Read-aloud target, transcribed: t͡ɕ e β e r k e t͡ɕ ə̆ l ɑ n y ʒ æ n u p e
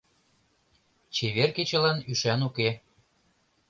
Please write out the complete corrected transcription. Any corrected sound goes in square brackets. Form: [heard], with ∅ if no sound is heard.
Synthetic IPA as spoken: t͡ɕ e β e r k e t͡ɕ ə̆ l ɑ n y [ʃ] æ n u [k] e

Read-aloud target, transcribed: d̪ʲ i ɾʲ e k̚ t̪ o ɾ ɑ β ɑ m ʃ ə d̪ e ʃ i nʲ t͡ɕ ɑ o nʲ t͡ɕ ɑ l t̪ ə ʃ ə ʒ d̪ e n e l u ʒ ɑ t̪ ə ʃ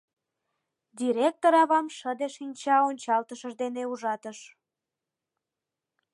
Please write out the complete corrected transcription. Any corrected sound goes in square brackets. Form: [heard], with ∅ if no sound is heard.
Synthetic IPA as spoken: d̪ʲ i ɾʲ e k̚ t̪ o ɾ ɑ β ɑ m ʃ ə d̪ e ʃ i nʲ t͡ɕ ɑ o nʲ t͡ɕ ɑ l t̪ ə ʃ ə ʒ d̪ e n e [∅] u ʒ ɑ t̪ ə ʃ

